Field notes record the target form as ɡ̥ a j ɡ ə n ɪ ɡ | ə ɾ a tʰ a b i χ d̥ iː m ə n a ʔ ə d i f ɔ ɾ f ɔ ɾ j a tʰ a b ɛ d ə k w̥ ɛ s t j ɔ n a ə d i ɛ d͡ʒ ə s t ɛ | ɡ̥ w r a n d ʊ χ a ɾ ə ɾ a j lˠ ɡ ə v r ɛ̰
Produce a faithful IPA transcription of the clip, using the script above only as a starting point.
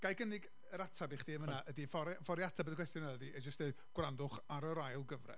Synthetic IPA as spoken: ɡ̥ a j ɡ ə n ɪ ɡ | ə ɾ a tʰ a b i χ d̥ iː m ə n a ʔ ə d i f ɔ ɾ f ɔ ɾ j a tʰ a b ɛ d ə k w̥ ɛ s t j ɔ n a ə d i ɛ d͡ʒ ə s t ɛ | ɡ̥ w r a n d ʊ χ a ɾ ə ɾ a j lˠ ɡ ə v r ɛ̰